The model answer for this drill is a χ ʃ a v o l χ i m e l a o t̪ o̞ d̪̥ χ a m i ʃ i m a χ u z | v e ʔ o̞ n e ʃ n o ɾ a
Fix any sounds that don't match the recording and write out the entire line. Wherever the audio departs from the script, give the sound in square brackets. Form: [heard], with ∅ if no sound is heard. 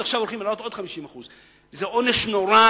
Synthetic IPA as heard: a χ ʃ a v o l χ i m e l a o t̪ o̞ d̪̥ χ a m i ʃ i m a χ u z | [z] e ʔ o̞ n e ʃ n o ɾ a